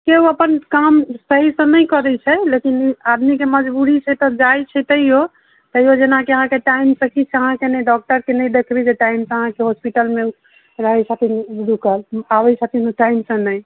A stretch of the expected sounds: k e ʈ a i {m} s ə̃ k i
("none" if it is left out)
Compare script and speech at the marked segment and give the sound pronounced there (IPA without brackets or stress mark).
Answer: m